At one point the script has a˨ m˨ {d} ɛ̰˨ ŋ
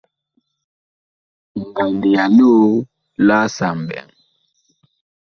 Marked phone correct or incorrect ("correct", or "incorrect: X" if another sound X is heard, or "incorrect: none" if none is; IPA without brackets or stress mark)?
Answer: incorrect: b